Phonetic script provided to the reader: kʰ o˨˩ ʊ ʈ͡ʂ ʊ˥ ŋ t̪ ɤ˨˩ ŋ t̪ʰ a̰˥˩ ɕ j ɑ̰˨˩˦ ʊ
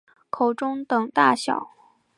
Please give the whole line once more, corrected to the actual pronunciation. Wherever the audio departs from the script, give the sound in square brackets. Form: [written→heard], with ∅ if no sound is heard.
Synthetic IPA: kʰ o˨˩ ʊ ʈ͡ʂ ʊ˥ ŋ t̪ ɤ˨˩ ŋ [t̪ʰ→t̪] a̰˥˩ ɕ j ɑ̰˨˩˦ ʊ

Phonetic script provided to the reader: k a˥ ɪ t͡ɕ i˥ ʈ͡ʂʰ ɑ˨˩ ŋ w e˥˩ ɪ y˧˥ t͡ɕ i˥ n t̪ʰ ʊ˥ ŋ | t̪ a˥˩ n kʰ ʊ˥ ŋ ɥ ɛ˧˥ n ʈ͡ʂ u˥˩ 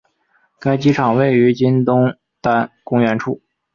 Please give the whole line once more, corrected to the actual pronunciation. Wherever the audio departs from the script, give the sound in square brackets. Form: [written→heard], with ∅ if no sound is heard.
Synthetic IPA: k a˥ ɪ t͡ɕ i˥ ʈ͡ʂʰ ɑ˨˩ ŋ w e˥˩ ɪ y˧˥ t͡ɕ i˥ n [t̪ʰ→t̪] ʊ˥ ŋ | t̪ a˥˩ n [kʰ→k] ʊ˥ ŋ ɥ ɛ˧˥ n [ʈ͡ʂ→ʈ͡ʂʰ] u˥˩

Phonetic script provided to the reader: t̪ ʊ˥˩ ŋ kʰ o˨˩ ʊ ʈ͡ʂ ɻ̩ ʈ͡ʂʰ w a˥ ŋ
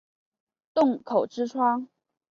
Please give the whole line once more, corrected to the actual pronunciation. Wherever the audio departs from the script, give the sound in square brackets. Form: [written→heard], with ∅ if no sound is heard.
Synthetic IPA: t̪ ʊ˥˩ ŋ kʰ o˨˩ ʊ ʈ͡ʂ ɻ̩ ʈ͡ʂʰ w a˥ ŋ

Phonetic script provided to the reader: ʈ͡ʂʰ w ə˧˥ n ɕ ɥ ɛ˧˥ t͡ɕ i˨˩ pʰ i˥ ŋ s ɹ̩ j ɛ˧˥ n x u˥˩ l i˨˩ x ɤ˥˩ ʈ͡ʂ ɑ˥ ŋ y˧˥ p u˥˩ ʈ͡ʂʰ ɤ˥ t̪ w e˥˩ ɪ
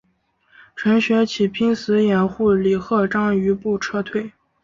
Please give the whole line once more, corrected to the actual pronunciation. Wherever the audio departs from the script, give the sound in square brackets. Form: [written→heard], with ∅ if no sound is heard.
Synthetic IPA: ʈ͡ʂʰ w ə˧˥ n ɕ ɥ ɛ˧˥ [t͡ɕ→t͡ɕʰ] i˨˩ pʰ i˥ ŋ s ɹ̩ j [ɛ˧˥→ɛ˨˩] n x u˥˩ l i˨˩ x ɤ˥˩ ʈ͡ʂ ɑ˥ ŋ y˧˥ p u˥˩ ʈ͡ʂʰ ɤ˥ [t̪→t̪ʰ] w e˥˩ ɪ

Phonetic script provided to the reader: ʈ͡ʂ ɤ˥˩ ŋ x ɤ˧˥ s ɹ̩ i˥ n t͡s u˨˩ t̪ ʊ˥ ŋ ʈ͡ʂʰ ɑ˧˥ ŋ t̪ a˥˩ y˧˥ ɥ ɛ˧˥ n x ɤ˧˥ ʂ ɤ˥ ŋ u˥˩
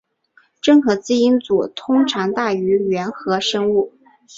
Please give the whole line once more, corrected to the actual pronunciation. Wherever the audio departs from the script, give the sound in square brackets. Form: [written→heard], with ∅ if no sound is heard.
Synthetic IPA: ʈ͡ʂ ɤ˥˩ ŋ x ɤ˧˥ [s→t͡s] ɹ̩ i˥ n t͡s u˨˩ [t̪→t̪ʰ] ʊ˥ ŋ ʈ͡ʂʰ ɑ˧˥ ŋ t̪ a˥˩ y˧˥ ɥ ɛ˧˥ n x ɤ˧˥ ʂ ɤ˥ ŋ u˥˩

